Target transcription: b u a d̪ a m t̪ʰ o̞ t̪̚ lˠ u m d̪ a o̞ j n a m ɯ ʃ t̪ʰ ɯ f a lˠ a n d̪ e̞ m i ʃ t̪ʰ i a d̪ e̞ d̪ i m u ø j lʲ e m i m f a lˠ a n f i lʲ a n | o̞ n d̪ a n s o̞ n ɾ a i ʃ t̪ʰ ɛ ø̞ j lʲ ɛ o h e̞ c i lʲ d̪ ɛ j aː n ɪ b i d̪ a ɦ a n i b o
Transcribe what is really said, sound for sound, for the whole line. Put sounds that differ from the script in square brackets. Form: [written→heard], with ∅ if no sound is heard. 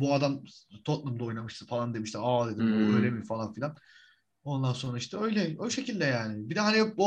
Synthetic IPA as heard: b u a d̪ a m t̪ʰ o̞ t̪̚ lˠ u m d̪ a o̞ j n a m ɯ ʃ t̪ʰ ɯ f a lˠ a n d̪ e̞ m i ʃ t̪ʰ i a d̪ e̞ d̪ i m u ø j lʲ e m i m f a lˠ a n f i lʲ a n | o̞ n d̪ a n s o̞ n ɾ a i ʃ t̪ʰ ɛ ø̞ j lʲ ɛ o [h→ʃ] e̞ c i lʲ d̪ ɛ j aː n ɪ b i d̪ [a→ɛ] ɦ a n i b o